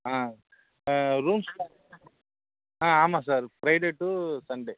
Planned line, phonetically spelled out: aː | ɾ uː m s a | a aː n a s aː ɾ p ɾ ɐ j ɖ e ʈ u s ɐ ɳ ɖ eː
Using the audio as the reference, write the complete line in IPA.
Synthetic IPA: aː | ɾ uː m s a | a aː m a s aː ɾ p ɾ ɐ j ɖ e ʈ u s ɐ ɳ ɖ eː